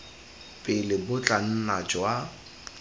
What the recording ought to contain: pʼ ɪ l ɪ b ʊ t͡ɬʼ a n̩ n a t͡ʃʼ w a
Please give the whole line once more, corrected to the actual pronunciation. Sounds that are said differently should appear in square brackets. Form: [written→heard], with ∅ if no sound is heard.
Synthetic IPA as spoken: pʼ ɪ l ɪ b ʊ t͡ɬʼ a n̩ n a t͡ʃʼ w a